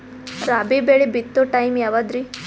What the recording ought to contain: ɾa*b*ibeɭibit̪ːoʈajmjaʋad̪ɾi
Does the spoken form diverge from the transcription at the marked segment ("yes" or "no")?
no